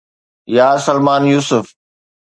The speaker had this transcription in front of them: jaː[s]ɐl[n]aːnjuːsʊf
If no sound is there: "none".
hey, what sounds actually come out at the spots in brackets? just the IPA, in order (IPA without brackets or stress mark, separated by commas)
s, m